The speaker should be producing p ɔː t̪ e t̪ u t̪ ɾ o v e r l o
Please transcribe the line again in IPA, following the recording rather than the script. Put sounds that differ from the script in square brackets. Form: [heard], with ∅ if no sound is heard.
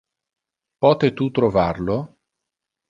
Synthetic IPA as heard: p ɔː t̪ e t̪ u t̪ ɾ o v [a] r l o